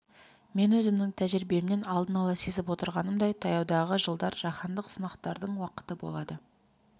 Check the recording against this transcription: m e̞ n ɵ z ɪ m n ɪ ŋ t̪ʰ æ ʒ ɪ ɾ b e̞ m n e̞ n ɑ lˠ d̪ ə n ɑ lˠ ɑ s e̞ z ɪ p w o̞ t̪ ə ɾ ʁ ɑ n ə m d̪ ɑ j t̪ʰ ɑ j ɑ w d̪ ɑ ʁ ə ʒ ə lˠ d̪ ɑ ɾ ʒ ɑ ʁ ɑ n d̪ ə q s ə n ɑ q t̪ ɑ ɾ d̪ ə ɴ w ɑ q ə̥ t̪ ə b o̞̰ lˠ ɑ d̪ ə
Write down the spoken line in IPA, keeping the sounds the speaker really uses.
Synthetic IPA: m e̞ n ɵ z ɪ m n ɪ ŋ t̪ʰ æ ʒ ɪ ɾ b e̞ m n e̞ n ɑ lˠ d̪ ə n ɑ lˠ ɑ s e̞ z ɪ p w o̞ t̪ ə ɾ ʁ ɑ n ə m d̪ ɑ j t̪ʰ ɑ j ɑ w d̪ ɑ ʁ ə ʒ ə lˠ d̪ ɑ ɾ ʒ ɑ χ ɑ n d̪ ə q s ə n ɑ q t̪ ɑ ɾ d̪ ə ɴ w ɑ q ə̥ t̪ ə b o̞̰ lˠ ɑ d̪ ə